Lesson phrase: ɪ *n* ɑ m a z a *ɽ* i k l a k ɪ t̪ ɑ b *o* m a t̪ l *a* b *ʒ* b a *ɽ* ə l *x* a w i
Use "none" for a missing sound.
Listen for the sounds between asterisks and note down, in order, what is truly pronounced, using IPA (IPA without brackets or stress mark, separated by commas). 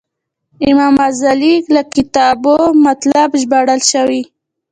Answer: m, l, o, a, ʒ, ɽ, ʃ